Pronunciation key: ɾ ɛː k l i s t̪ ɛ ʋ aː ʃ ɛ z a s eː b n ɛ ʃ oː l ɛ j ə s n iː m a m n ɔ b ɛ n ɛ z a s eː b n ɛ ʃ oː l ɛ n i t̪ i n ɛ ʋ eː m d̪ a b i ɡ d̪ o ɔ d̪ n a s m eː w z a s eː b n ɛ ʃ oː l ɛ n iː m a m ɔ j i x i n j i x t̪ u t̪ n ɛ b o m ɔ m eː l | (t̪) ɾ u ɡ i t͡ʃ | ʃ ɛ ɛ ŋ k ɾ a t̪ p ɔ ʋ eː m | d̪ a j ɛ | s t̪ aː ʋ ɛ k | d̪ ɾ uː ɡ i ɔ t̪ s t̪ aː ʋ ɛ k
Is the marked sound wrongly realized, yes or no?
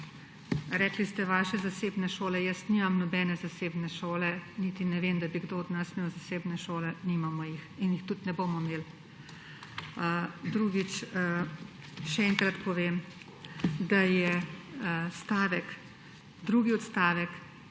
yes